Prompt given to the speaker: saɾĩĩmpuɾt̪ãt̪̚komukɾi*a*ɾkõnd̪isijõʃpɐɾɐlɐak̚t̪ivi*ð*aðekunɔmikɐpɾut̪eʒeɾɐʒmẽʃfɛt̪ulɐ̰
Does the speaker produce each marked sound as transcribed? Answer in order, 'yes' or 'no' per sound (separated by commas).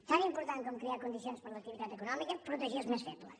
yes, yes